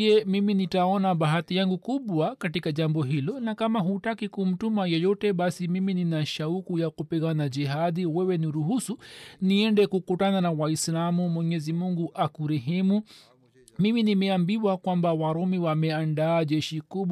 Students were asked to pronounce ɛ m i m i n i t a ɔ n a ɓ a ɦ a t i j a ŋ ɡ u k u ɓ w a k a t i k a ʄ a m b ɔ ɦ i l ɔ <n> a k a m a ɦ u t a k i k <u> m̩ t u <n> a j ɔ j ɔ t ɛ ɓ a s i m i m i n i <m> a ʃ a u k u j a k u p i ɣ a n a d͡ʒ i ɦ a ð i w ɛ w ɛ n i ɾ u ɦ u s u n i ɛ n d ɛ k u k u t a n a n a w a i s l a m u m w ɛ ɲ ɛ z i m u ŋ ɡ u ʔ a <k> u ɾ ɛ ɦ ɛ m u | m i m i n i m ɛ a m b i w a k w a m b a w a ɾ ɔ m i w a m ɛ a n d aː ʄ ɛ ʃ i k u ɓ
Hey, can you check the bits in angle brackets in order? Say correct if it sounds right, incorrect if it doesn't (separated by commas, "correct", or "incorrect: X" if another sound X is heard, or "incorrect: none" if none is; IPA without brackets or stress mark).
correct, correct, incorrect: m, incorrect: n, correct